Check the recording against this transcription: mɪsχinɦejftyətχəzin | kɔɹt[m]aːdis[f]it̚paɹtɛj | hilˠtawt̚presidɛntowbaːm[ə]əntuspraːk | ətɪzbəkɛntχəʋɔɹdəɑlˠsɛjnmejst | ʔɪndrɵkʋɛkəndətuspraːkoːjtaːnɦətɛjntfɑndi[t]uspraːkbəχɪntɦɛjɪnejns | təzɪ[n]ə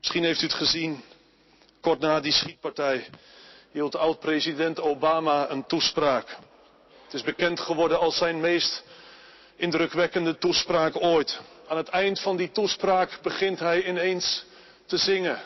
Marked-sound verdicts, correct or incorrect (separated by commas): incorrect, incorrect, incorrect, correct, incorrect